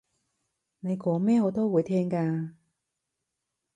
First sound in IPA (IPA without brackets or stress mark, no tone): n